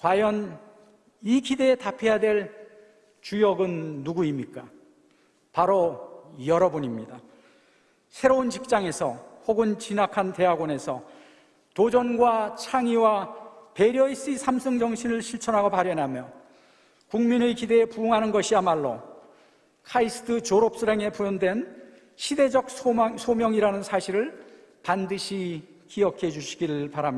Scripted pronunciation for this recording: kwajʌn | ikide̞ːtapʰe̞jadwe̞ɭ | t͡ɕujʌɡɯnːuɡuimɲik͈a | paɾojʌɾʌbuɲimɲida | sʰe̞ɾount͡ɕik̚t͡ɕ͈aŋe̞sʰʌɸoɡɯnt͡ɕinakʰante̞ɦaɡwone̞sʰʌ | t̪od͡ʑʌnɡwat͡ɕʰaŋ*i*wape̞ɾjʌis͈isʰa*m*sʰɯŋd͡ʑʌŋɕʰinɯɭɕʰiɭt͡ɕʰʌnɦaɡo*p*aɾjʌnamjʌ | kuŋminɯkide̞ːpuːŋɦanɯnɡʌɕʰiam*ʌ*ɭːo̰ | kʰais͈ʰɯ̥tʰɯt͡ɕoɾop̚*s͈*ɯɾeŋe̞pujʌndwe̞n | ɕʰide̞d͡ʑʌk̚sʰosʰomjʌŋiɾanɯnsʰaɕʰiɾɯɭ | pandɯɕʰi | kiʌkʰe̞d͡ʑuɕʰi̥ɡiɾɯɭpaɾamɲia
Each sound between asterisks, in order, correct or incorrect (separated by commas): correct, correct, correct, incorrect, correct